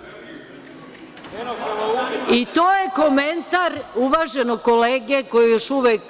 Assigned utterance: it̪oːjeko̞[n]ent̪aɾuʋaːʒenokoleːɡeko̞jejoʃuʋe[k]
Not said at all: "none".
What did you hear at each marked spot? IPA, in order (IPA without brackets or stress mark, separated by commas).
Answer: m, k